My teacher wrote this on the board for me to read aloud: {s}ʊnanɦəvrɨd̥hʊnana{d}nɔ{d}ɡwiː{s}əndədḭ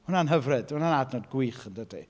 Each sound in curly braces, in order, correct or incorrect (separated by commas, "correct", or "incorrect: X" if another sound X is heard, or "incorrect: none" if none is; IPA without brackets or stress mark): incorrect: h, correct, correct, incorrect: χ